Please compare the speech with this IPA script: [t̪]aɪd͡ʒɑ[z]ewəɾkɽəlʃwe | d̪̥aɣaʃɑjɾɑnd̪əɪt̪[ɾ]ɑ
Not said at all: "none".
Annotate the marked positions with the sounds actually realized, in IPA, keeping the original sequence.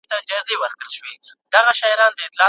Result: t̪, z, l

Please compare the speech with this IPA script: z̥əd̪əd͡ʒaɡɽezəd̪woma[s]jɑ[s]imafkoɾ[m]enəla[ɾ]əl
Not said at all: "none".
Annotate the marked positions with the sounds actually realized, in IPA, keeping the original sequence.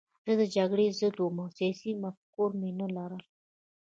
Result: s, s, m, ɾ

